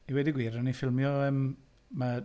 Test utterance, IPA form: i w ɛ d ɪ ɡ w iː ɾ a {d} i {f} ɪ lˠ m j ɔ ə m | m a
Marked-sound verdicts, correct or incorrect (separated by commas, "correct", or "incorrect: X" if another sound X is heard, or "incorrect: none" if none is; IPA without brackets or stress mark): incorrect: n, correct